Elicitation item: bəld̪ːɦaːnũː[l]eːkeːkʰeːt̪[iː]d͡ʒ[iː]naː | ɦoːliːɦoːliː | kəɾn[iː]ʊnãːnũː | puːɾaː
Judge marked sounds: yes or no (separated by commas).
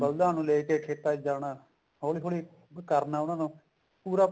yes, no, no, no